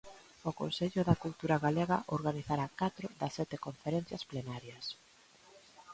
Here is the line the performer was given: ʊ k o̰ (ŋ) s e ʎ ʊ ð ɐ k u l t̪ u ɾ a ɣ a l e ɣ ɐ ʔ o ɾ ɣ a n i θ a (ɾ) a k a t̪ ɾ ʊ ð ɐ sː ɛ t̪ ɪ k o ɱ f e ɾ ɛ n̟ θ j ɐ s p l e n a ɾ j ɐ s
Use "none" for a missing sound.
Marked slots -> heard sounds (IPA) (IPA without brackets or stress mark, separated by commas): n, ɾ